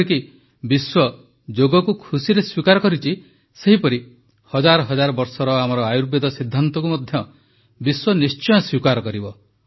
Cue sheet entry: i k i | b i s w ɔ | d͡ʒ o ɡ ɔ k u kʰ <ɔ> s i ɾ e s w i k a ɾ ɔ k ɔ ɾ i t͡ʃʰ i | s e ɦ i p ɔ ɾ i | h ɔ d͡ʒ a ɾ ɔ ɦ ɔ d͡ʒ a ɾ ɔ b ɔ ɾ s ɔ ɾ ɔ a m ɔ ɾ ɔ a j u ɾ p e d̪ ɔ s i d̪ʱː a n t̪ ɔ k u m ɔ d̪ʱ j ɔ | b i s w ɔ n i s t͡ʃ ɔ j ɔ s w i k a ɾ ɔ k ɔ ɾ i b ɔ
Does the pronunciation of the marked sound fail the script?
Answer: yes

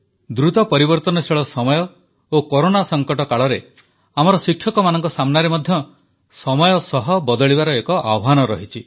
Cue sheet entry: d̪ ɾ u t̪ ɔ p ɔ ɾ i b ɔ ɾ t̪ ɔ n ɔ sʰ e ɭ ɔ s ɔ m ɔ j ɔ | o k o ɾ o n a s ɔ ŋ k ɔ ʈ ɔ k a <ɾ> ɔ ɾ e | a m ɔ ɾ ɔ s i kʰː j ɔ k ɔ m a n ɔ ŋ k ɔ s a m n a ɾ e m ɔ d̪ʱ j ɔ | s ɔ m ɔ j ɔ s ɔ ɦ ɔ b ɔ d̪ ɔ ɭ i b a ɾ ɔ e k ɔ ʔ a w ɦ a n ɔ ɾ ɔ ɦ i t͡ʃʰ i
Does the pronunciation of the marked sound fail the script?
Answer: yes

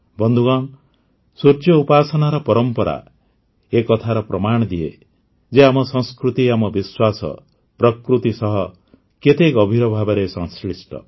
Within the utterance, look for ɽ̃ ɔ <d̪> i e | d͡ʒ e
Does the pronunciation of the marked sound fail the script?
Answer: no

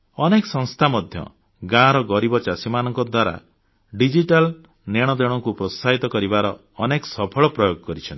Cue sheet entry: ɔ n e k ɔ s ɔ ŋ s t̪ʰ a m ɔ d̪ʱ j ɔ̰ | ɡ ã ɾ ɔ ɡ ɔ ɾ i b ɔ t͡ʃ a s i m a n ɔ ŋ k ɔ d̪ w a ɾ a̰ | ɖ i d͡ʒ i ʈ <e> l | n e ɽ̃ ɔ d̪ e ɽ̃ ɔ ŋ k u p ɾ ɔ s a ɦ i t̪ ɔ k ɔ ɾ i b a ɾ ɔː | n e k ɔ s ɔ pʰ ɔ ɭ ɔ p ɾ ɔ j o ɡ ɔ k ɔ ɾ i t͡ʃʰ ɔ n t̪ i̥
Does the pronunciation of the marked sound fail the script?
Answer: yes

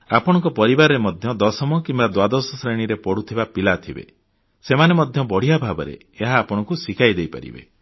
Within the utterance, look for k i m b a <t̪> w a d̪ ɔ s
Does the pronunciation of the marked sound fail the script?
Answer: yes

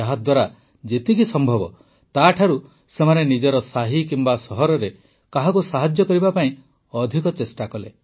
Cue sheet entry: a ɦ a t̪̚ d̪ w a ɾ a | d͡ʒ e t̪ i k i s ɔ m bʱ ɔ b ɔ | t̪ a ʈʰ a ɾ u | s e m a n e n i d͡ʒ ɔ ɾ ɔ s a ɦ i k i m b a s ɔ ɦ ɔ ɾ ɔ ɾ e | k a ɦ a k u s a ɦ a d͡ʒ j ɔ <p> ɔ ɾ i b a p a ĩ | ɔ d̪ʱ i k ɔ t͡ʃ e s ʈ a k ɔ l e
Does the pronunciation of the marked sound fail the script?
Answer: yes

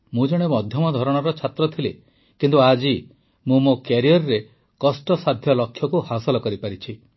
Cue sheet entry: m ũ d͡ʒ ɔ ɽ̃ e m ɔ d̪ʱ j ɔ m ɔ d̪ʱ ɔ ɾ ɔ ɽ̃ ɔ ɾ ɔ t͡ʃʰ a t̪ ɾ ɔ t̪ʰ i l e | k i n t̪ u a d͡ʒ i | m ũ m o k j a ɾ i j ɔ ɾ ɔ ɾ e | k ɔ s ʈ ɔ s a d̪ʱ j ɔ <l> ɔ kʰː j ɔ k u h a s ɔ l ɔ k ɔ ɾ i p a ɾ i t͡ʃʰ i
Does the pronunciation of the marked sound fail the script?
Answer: no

